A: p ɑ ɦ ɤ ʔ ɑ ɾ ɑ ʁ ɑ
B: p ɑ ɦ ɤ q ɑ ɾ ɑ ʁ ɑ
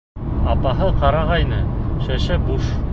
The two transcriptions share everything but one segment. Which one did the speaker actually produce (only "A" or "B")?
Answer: B